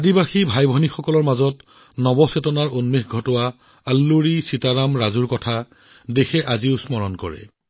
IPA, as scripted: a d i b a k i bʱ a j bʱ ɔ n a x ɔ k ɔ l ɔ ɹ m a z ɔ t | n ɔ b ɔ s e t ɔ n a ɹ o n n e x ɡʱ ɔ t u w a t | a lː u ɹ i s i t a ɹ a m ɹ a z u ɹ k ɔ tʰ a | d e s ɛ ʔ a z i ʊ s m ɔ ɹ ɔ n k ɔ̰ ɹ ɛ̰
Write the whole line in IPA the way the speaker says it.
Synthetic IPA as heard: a d i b a x i bʱ a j bʱ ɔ n i x ɔ k ɔ l ɔ ɹ m a z ɔ t | n ɔ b ɔ s e t ɔ n a ɹ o n m e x ɡʱ ɔ t ɔ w a | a lː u ɹ i s i t a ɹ a m ɹ a z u ɹ k ɔ tʰ a | d e x ɛ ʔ a z i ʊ s m ɔ ɹ ɔ n k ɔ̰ ɹ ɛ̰